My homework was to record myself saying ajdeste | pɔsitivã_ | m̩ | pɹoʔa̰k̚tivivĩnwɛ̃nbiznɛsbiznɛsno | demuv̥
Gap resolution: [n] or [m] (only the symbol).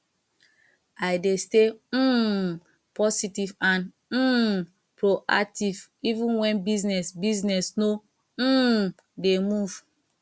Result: n